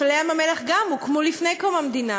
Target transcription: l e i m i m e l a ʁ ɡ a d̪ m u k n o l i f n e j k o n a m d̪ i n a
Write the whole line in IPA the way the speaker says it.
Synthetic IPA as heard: l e a m a m e l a χ ɡ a m u k m o l i f n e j k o m a m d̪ i n a